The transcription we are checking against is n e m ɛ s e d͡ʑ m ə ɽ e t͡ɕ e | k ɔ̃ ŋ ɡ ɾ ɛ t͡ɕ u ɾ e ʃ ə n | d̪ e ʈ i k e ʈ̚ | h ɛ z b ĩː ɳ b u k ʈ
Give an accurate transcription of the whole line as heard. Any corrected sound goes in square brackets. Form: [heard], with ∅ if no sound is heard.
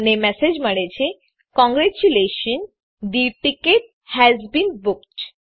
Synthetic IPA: n e m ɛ s e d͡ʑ m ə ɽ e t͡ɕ e | k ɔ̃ ŋ ɡ ɾ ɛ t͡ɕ u [l] e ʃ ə n | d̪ [i] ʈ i k e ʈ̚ | h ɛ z b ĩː [n] b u k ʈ